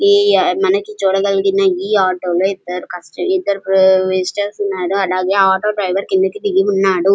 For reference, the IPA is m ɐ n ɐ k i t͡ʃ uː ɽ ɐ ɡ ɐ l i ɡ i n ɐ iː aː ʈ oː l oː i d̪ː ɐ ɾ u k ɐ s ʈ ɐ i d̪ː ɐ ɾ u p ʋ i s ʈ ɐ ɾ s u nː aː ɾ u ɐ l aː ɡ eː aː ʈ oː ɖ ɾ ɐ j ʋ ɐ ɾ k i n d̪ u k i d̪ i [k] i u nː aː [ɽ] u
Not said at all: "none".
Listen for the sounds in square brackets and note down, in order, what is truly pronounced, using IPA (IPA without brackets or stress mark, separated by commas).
ɡ, ɽ